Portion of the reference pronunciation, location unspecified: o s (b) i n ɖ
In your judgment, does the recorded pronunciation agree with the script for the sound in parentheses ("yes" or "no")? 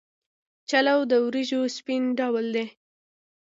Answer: no